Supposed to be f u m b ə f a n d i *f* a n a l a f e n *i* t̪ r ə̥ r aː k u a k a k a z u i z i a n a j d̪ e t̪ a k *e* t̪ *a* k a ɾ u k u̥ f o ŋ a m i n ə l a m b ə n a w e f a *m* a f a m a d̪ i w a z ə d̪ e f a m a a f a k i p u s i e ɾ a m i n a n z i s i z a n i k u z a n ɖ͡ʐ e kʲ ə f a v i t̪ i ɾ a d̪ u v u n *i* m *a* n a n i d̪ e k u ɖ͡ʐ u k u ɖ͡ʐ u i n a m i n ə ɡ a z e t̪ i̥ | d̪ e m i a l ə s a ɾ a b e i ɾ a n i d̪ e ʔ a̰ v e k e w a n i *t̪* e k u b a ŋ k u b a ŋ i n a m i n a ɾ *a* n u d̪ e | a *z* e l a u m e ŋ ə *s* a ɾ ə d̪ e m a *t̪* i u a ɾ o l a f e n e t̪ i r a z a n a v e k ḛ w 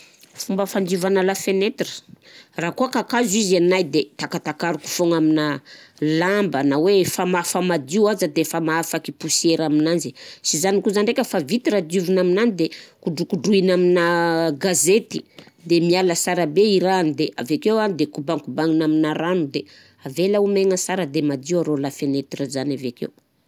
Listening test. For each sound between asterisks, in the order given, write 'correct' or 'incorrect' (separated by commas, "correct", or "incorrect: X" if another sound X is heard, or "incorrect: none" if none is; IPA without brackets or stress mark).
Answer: incorrect: v, incorrect: e, incorrect: a, correct, correct, incorrect: a, incorrect: i, incorrect: d̪, correct, incorrect: v, correct, incorrect: d̪